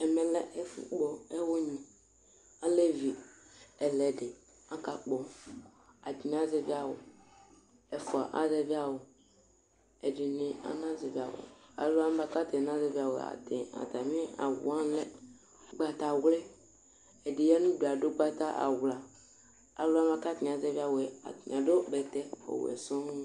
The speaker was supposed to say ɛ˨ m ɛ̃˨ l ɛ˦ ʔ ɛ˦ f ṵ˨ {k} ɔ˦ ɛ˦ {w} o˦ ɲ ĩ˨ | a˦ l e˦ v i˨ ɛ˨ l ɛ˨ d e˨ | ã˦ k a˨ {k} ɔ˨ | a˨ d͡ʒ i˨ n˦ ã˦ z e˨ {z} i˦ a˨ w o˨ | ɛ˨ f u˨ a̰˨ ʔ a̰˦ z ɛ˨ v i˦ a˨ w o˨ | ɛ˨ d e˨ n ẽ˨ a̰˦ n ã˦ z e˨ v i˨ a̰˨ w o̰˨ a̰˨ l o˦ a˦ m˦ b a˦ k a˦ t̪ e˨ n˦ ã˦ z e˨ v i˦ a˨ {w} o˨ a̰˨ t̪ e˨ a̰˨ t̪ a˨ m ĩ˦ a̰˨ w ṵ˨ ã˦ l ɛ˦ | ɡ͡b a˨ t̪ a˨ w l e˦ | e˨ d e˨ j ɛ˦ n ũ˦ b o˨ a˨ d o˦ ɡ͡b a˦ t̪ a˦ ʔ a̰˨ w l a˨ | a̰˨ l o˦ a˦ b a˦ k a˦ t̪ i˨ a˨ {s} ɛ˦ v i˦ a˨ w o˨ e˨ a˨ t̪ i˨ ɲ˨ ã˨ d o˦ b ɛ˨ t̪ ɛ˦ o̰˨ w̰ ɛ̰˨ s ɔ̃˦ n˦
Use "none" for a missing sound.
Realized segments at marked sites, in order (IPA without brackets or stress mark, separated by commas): k͡p, w, k͡p, v, w, z